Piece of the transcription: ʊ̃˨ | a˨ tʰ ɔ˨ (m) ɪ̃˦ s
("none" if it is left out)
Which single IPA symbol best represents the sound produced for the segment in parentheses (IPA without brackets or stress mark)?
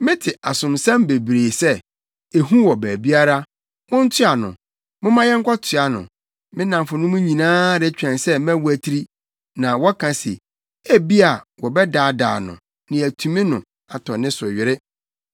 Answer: n